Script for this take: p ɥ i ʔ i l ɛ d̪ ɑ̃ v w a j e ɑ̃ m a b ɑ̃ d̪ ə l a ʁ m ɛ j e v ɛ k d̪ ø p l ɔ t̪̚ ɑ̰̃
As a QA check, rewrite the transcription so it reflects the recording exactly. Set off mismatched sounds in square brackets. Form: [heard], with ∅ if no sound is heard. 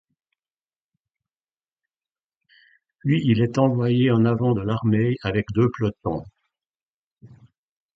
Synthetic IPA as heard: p ɥ i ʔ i l ɛ [t̪] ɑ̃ v w a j e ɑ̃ [n] a [v] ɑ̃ d̪ ə l a ʁ m ɛ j [a] v ɛ k d̪ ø p l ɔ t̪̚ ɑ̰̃